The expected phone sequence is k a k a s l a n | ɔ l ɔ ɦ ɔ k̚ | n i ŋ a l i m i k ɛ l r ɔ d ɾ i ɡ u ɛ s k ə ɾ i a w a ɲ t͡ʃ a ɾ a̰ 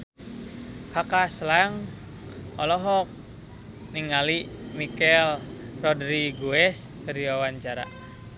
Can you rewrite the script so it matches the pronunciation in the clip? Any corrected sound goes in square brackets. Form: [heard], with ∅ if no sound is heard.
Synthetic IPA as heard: k a k a s l a [ŋ] | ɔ l ɔ ɦ ɔ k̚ | n i ŋ a l i m i k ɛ l r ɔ d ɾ i ɡ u ɛ s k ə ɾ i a w a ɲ t͡ʃ a ɾ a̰